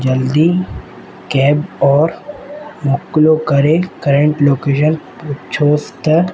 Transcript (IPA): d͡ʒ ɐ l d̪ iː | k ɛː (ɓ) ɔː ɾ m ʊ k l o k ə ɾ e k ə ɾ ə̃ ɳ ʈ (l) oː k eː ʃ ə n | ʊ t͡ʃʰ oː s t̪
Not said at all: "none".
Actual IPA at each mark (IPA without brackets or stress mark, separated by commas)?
b, l